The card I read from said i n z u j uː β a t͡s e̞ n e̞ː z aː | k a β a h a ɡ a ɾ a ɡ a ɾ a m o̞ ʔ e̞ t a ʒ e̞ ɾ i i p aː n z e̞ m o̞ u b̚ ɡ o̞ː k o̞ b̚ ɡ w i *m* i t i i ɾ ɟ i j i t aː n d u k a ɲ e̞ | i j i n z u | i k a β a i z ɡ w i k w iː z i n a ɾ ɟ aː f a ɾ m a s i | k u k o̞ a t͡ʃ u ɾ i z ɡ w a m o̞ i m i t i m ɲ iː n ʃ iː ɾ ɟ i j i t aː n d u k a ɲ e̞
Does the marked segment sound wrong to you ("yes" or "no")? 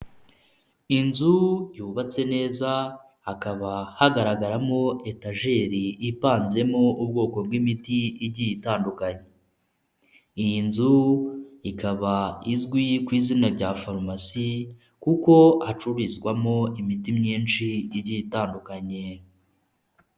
no